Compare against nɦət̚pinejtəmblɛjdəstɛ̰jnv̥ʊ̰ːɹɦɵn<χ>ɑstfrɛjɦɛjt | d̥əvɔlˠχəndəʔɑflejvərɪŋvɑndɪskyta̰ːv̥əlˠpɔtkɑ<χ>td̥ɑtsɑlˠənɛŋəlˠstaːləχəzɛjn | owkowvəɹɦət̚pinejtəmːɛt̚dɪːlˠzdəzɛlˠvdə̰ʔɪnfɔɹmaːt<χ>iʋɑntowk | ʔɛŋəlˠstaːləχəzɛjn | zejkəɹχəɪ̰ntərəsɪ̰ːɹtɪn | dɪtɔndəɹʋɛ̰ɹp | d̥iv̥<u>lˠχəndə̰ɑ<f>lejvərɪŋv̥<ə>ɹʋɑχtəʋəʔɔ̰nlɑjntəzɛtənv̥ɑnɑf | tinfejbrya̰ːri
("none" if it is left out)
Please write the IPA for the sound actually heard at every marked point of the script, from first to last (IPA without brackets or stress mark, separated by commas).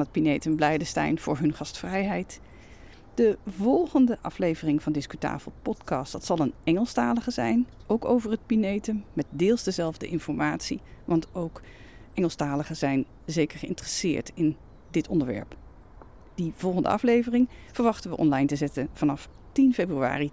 χ, s, s, ɔ, f, ə